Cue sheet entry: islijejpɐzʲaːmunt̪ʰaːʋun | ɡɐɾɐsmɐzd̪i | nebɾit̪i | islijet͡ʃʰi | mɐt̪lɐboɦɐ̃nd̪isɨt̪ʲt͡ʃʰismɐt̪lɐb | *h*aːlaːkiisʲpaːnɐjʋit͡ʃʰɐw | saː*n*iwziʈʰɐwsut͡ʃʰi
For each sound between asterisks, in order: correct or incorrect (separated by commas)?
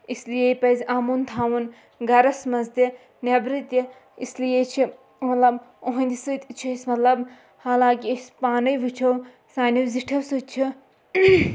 correct, correct